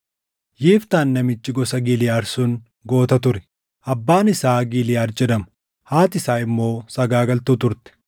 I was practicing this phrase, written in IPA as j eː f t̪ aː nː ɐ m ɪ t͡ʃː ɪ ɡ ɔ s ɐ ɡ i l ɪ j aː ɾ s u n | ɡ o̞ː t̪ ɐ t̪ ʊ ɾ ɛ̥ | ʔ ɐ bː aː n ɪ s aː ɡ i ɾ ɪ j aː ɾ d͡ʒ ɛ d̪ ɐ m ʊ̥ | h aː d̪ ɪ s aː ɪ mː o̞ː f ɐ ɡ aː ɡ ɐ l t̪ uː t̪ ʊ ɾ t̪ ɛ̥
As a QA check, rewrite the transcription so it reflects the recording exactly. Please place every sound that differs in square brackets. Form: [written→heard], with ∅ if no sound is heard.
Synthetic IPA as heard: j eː f t̪ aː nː ɐ m ɪ t͡ʃː ɪ ɡ ɔ s ɐ ɡ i l ɪ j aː ɾ s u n | ɡ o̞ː t̪ ɐ t̪ ʊ ɾ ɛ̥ | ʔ ɐ bː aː n ɪ s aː ɡ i [ɾ→l] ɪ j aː ɾ d͡ʒ ɛ d̪ ɐ m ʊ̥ | h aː [d̪→t̪] ɪ s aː ɪ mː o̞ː [f→s] ɐ ɡ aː ɡ ɐ l t̪ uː t̪ ʊ ɾ t̪ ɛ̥